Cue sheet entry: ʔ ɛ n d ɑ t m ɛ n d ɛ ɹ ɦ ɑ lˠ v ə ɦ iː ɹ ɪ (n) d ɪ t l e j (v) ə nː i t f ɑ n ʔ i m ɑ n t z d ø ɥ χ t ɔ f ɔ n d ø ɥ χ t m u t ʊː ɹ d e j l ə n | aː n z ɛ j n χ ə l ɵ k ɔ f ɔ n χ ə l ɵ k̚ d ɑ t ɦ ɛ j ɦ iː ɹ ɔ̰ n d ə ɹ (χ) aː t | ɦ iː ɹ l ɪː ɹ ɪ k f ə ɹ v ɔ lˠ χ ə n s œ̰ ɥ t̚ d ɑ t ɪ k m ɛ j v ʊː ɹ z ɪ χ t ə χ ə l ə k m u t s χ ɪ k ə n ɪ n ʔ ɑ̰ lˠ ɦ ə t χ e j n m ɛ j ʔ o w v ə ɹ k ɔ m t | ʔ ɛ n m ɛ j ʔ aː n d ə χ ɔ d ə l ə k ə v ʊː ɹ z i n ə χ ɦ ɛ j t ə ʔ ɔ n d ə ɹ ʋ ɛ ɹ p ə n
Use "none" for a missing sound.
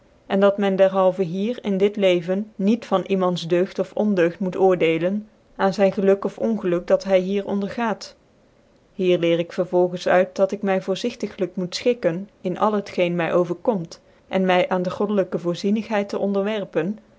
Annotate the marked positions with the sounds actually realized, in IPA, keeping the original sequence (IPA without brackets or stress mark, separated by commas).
n, v, χ